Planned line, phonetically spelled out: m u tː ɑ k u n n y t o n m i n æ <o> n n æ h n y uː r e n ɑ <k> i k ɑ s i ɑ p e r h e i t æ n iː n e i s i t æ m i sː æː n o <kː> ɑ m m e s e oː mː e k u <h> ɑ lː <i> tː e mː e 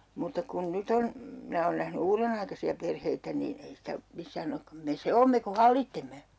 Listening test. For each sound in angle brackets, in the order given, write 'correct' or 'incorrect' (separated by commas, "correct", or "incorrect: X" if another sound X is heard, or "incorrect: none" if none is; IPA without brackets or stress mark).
incorrect: oː, incorrect: none, correct, correct, correct